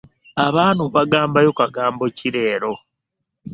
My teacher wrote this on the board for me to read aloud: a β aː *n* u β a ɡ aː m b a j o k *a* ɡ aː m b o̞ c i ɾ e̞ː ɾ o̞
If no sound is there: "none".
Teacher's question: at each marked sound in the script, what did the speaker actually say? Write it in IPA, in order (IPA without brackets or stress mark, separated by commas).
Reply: n, a